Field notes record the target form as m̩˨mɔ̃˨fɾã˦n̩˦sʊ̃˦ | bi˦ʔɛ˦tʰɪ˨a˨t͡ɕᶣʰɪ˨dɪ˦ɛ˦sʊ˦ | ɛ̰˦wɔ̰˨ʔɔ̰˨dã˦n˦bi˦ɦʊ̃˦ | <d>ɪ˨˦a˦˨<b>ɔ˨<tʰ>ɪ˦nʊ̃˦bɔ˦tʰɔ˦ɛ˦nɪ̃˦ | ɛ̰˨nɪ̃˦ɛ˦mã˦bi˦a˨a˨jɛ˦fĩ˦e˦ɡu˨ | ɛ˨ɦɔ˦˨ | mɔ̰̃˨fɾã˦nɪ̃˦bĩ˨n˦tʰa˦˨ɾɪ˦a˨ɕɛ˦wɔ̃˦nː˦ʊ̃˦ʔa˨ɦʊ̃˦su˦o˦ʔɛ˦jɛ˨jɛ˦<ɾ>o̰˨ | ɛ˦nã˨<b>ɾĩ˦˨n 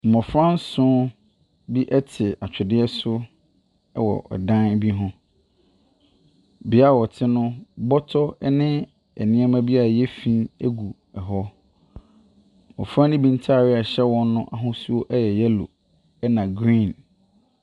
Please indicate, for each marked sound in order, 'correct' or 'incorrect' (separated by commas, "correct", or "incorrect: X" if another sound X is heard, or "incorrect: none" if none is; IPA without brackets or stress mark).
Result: incorrect: b, incorrect: w, correct, incorrect: l, incorrect: ɡ